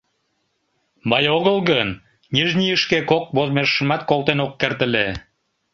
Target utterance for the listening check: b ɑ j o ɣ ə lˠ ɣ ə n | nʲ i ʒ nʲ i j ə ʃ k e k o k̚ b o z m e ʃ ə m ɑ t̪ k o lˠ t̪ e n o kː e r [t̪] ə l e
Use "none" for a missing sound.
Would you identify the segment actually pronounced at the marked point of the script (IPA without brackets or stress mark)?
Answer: t̪